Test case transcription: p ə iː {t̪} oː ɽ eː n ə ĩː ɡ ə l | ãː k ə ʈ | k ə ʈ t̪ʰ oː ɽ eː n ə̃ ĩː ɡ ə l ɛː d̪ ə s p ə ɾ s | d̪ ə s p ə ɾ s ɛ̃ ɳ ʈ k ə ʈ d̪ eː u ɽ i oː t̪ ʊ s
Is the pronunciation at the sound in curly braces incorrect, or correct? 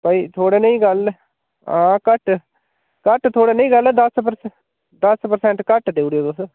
incorrect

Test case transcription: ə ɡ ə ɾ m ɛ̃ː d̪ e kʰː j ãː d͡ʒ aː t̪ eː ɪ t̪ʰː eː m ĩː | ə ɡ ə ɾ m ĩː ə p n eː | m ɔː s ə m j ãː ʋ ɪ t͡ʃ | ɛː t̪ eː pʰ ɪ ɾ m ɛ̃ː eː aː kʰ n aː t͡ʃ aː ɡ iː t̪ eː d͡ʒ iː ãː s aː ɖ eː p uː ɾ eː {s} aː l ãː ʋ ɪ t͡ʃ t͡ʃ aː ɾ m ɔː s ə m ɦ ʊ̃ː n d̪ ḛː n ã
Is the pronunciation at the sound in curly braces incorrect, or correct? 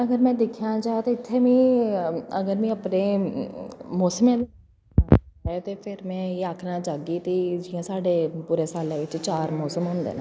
correct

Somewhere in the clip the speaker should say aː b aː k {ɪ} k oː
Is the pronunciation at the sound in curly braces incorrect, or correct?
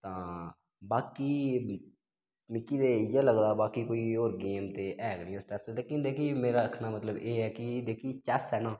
incorrect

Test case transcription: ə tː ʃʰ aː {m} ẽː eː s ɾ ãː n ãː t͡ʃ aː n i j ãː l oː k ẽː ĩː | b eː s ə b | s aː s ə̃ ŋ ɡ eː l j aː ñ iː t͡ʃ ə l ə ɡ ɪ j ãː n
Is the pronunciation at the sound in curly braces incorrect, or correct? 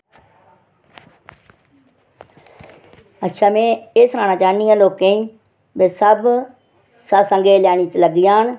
correct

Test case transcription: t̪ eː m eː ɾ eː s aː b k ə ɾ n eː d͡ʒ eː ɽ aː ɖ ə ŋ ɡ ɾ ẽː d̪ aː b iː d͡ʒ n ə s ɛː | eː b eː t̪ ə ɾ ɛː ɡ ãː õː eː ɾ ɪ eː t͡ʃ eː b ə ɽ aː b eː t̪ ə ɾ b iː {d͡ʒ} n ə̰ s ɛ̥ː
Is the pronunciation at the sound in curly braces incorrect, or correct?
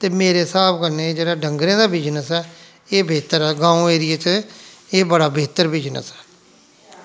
correct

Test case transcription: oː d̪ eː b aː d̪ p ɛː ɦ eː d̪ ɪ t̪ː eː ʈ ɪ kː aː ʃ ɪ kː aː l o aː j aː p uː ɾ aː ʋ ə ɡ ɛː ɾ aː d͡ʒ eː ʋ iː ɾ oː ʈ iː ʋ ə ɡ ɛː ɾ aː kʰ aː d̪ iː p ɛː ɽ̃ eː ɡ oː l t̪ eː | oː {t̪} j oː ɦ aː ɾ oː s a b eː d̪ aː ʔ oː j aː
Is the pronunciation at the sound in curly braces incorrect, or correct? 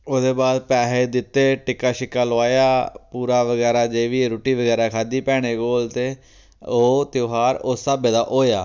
correct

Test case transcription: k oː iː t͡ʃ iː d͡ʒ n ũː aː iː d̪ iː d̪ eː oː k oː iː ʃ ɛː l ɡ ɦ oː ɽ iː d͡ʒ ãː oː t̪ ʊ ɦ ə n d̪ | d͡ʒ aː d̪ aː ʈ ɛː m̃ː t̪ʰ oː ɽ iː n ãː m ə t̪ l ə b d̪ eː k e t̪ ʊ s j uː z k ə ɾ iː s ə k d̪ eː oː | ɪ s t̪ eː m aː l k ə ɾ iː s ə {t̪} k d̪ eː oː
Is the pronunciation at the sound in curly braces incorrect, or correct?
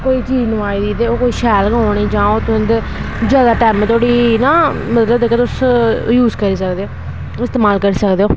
incorrect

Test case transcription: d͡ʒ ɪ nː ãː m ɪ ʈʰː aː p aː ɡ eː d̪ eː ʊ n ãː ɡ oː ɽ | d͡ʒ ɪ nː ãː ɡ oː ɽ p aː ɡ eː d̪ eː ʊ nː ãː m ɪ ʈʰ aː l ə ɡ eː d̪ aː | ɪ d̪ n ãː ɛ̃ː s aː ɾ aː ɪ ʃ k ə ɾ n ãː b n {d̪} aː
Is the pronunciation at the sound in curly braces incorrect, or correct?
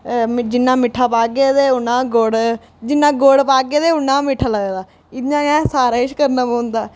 correct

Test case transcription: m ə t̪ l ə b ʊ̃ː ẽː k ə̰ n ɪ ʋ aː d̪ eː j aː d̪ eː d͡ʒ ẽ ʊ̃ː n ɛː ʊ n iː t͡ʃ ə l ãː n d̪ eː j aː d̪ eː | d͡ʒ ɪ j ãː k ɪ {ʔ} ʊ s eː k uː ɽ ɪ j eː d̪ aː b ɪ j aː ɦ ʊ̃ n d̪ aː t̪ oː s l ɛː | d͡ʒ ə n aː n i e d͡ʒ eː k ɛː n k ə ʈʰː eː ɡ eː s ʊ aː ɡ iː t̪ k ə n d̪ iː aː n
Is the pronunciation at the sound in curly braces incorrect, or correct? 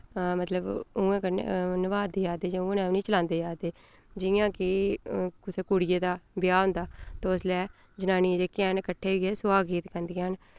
incorrect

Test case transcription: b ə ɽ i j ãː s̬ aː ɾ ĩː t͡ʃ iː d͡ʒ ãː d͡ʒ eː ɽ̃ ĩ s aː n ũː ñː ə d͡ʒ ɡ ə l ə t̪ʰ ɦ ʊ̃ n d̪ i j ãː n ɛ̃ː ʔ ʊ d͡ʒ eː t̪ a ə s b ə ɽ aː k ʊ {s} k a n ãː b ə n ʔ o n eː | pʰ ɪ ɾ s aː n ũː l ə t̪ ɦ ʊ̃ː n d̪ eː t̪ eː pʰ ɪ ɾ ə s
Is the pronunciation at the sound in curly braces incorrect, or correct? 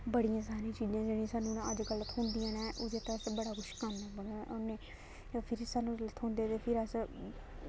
incorrect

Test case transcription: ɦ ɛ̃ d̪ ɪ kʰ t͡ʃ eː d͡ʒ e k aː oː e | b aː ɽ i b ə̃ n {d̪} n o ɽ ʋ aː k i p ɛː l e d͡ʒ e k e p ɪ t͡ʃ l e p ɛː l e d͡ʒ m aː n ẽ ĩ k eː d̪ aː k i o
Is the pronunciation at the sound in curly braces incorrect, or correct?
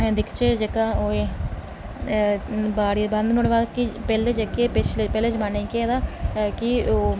correct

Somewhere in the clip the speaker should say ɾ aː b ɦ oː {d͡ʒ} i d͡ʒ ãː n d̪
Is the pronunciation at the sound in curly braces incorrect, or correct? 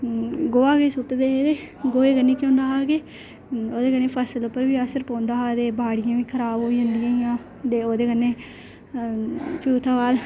incorrect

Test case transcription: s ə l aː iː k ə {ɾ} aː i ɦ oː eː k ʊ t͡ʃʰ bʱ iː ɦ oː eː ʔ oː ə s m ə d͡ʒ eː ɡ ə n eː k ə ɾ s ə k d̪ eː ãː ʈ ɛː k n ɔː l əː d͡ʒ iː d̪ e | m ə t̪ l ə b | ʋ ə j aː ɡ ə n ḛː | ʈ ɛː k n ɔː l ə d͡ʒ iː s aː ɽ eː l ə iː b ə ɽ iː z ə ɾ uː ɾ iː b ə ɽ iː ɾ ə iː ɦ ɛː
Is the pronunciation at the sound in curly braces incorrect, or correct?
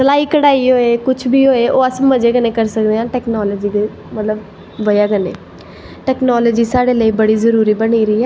incorrect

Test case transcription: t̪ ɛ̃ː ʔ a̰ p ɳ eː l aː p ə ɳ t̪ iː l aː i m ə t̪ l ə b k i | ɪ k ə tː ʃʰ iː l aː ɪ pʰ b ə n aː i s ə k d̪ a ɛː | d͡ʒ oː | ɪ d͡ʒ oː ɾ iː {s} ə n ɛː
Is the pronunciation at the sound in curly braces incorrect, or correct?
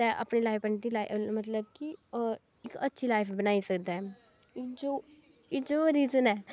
incorrect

